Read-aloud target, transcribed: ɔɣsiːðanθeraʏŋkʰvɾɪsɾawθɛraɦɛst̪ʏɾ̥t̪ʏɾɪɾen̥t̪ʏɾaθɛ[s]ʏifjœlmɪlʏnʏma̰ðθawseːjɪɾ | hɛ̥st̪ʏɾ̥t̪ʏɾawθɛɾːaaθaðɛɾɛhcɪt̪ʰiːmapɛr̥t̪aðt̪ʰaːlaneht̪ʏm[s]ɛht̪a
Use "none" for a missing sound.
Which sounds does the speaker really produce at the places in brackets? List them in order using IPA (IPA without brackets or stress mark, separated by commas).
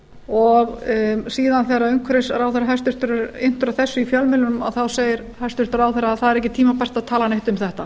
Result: sː, θ